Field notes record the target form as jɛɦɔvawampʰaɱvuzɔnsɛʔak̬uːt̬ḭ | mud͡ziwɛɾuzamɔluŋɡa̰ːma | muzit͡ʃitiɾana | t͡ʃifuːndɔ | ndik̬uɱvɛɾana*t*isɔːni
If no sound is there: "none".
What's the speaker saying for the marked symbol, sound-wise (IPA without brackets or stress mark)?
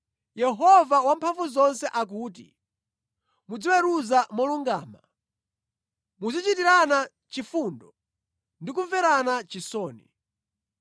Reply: t͡ʃ